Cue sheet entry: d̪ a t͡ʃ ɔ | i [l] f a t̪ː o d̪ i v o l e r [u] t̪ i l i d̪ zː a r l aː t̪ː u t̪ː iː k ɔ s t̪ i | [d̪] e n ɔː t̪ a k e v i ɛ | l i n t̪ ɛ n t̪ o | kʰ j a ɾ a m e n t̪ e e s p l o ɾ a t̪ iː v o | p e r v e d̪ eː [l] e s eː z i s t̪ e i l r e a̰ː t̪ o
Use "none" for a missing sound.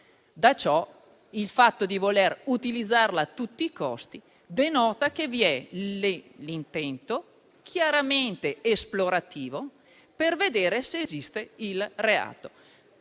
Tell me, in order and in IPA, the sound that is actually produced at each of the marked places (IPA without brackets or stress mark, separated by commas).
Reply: l, u, d̪, ɾ